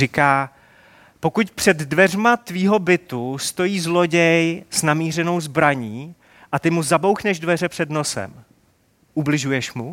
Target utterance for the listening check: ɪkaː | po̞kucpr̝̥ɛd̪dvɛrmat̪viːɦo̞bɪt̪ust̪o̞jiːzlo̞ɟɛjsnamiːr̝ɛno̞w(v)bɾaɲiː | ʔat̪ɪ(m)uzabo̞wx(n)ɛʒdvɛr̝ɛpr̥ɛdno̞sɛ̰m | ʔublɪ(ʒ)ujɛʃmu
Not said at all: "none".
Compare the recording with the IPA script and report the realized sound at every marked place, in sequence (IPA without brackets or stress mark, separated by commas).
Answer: z, m, n, ʒ